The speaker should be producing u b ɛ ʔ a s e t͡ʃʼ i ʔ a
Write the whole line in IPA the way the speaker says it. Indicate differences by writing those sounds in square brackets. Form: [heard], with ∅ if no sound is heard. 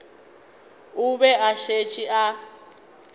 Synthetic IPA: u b ɛ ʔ a [ʃ] e t͡ʃʼ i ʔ a